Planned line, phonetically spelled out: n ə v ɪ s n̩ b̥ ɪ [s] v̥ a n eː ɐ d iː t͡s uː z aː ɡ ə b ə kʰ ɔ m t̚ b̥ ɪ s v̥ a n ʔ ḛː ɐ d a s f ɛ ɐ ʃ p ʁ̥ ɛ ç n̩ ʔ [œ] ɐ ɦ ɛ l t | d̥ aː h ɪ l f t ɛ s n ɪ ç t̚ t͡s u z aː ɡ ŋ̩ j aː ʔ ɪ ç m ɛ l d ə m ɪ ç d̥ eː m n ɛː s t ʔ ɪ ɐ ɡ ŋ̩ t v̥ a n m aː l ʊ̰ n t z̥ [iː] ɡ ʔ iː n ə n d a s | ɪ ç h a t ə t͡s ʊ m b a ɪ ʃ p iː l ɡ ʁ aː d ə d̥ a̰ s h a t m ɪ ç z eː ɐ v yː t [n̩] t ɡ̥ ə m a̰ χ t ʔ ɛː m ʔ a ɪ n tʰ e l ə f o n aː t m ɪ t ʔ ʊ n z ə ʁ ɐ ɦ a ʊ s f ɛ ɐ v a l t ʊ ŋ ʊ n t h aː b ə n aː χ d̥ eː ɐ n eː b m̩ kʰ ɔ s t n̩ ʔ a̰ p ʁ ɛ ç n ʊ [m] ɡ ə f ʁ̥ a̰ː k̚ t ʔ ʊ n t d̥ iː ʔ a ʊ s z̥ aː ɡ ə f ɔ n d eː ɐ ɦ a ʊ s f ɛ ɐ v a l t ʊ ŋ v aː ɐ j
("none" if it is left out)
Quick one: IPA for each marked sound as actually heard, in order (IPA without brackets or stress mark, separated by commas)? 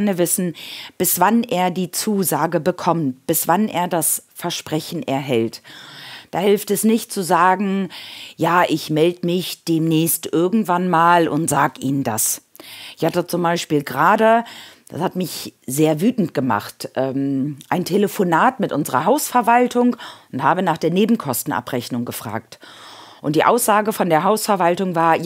s, ɛ, aː, n̩, ŋ